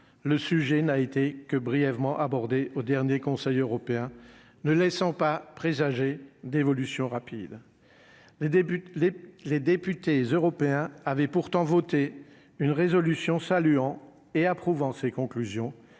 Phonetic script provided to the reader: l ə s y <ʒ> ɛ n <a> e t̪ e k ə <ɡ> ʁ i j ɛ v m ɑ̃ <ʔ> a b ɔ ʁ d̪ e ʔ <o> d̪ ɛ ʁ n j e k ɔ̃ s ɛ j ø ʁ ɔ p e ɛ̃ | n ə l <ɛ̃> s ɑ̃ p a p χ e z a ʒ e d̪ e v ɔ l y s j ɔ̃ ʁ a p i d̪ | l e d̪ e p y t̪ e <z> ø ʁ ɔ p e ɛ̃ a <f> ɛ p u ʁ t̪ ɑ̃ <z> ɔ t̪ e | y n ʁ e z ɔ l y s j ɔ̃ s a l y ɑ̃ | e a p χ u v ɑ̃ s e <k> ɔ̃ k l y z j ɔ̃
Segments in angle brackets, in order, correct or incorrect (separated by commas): correct, correct, incorrect, correct, correct, incorrect, correct, incorrect, incorrect, correct